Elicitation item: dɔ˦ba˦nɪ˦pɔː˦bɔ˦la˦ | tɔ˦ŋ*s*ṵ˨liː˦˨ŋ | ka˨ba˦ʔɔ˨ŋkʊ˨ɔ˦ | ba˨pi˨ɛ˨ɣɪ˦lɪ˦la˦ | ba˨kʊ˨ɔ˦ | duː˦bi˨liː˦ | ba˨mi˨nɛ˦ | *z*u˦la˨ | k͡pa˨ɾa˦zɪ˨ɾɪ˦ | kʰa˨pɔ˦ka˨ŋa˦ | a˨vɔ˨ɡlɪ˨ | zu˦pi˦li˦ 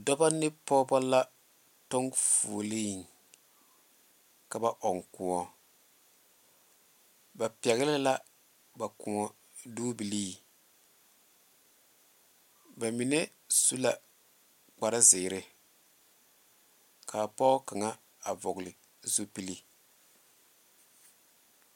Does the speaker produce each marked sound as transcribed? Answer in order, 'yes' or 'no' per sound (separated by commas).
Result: no, no